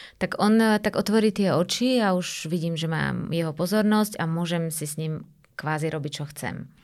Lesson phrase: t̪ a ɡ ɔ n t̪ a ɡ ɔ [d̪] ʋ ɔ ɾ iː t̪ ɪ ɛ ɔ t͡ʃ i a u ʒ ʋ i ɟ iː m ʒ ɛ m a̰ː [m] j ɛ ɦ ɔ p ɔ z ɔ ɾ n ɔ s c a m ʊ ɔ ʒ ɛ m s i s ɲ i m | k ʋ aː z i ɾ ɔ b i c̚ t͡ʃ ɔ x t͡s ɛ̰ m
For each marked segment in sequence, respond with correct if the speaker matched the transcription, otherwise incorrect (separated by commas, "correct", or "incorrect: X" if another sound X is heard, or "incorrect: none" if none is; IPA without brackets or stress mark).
incorrect: t̪, correct